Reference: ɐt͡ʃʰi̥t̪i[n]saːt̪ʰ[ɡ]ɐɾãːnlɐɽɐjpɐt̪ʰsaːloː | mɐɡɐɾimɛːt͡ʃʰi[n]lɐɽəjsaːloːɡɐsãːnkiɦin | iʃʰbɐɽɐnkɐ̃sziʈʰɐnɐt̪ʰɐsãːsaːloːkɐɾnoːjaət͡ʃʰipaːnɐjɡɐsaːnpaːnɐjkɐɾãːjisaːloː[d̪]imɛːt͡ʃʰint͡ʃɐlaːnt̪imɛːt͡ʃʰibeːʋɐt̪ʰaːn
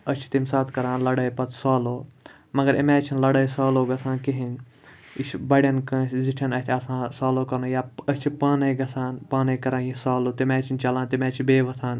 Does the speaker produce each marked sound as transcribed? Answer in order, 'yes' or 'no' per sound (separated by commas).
no, no, yes, no